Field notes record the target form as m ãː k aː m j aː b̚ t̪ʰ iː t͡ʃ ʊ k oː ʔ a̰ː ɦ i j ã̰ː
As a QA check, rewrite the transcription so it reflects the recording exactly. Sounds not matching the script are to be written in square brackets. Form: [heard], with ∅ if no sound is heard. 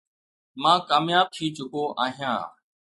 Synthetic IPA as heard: m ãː k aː m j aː b̚ t̪ʰ iː t͡ʃ ʊ k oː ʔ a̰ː ɦ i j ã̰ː